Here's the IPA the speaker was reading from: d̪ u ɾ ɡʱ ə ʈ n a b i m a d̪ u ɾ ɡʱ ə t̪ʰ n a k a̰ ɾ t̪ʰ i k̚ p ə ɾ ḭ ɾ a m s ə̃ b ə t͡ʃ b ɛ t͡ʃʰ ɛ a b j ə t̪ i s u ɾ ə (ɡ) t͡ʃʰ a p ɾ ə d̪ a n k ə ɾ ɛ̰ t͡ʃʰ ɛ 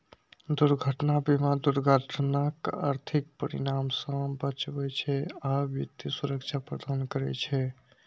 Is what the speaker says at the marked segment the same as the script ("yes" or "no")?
no